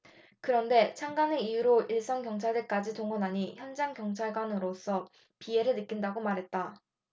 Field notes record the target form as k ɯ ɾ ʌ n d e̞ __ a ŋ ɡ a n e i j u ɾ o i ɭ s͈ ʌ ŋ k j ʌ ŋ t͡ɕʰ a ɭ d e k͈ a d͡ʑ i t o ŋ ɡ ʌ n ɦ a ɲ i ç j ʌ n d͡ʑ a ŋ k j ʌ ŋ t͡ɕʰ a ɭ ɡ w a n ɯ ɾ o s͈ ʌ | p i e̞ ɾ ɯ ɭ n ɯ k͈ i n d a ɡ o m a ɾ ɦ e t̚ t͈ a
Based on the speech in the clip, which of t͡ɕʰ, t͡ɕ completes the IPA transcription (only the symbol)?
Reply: t͡ɕʰ